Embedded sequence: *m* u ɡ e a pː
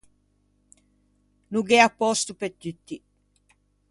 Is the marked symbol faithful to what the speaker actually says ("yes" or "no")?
no